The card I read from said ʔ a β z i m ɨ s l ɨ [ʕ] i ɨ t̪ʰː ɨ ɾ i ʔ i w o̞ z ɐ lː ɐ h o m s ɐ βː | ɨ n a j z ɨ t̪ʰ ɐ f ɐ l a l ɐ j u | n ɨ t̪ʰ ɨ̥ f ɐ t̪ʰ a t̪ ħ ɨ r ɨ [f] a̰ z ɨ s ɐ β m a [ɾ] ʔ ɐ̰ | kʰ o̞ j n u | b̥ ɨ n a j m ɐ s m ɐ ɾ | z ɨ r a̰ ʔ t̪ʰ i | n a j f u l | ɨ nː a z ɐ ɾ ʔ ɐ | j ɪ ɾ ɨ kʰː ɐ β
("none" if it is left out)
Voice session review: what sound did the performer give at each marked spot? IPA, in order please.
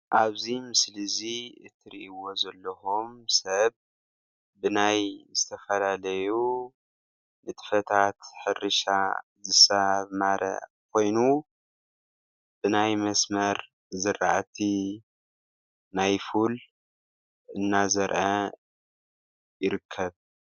z, ʃ, ɾ

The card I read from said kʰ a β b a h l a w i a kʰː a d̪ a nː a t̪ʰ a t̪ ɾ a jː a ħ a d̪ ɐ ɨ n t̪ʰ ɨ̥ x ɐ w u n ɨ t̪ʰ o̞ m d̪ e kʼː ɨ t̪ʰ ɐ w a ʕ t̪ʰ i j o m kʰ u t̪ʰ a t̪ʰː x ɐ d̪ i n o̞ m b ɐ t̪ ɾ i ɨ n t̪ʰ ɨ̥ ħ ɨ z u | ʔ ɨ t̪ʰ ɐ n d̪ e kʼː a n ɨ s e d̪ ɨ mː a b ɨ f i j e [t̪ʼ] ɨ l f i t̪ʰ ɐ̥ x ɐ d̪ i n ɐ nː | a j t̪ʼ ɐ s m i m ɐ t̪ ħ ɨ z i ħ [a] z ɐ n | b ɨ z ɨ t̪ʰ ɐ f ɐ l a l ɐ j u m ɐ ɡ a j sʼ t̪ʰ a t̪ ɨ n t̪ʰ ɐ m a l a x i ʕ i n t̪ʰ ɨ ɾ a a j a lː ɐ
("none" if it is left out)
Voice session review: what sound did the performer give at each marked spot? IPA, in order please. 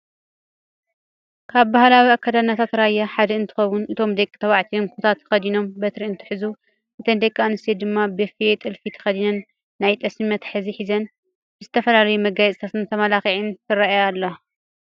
t̪ʼ, i

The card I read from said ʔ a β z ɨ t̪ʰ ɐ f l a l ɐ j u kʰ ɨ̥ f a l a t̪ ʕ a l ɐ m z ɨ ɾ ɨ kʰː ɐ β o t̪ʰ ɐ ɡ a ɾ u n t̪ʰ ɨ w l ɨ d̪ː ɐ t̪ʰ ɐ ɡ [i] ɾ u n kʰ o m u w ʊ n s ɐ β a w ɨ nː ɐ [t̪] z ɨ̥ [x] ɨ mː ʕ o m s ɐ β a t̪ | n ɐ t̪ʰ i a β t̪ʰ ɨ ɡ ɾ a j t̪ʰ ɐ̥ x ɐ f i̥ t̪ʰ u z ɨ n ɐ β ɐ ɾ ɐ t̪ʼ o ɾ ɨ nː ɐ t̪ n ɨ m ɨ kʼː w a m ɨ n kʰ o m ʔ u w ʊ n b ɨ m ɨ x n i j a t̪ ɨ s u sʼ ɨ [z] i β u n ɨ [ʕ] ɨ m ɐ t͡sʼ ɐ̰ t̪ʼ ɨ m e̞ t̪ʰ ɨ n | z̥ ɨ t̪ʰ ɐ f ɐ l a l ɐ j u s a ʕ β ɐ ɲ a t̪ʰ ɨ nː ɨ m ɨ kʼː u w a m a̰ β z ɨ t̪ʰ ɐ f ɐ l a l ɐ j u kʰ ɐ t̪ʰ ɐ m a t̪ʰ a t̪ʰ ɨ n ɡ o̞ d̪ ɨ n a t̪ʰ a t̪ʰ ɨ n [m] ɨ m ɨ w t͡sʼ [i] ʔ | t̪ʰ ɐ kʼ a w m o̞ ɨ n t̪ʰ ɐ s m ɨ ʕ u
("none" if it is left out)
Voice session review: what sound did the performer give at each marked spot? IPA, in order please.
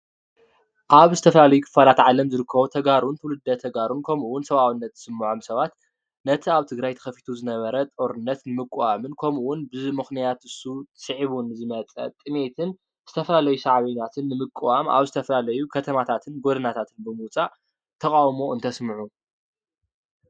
a, t̪, s, ʕ, z, b, a

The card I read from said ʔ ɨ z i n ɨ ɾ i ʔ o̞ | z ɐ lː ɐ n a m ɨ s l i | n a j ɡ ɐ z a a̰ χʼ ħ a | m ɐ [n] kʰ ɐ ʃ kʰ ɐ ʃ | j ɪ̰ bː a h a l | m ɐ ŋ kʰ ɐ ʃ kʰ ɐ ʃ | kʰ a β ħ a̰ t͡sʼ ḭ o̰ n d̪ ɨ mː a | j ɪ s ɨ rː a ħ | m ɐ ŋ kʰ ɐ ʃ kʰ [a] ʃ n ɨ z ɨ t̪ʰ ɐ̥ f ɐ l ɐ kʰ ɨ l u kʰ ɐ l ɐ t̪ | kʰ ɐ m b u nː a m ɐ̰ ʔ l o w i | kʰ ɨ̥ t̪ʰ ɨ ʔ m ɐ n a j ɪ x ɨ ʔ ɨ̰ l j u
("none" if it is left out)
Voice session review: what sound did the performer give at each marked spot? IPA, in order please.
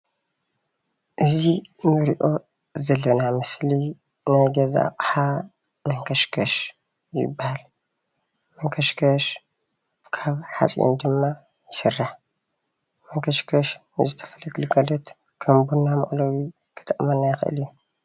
ŋ, ɐ

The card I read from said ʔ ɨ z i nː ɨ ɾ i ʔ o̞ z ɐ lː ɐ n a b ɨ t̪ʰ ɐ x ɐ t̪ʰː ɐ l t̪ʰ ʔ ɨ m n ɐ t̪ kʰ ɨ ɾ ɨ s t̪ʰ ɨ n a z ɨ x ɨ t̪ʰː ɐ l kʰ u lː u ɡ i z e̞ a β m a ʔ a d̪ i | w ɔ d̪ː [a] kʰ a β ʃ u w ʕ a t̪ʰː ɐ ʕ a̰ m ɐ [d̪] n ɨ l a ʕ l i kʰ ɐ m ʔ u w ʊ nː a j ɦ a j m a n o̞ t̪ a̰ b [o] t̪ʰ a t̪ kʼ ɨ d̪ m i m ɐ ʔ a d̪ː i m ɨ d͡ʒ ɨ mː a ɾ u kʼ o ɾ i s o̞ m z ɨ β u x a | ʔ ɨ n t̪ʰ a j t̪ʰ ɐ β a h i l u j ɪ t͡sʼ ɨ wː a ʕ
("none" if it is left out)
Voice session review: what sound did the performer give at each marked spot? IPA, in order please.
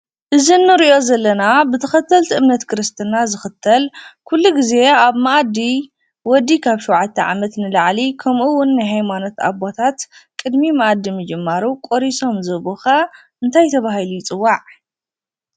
i, t̪, o

